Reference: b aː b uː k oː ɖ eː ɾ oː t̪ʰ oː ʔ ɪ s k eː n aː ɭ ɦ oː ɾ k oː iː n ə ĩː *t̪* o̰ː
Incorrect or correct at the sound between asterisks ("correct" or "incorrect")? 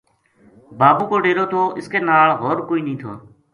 incorrect